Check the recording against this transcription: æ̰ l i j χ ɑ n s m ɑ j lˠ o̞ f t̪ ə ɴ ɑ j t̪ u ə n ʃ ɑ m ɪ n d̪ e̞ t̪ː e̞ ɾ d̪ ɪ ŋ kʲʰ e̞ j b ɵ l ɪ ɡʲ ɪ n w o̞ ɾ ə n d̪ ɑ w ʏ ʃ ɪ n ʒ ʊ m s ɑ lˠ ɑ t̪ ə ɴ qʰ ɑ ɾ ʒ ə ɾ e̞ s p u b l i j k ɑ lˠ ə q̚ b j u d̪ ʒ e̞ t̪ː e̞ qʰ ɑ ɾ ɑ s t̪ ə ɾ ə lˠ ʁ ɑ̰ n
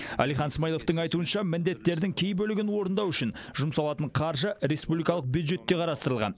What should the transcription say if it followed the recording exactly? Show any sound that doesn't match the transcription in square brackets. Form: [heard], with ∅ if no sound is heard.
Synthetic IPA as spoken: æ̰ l i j χ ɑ n s m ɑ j lˠ o̞ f t̪ ə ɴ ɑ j t̪ u ə n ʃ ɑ m ɪ n d̪ e̞ t̪ː e̞ ɾ d̪ ɪ ŋ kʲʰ e̞ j b ɵ l ɪ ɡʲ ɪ n w o̞ ɾ ə n d̪ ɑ w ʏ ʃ ɪ n ʒ ʊ m s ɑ lˠ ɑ t̪ ə ɴ qʰ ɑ ɾ ʒ ə ɾ e̞ s p u b l i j k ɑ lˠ ə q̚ b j u d̪ ʒ e̞ t̪ː e̞ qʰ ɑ ɾ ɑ s t̪ ə ɾ ə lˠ ʁ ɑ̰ n